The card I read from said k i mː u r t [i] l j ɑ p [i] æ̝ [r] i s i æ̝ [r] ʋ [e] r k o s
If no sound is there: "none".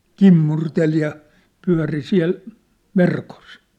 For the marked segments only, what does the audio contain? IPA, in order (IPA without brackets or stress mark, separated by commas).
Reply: e, y, r, l, e